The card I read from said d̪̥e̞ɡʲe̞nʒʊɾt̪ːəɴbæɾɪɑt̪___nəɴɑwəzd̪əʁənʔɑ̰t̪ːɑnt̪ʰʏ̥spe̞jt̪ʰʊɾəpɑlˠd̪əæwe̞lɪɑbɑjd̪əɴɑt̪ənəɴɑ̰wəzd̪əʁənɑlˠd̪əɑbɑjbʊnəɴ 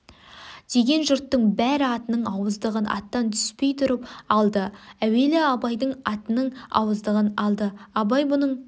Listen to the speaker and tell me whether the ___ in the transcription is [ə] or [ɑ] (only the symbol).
ə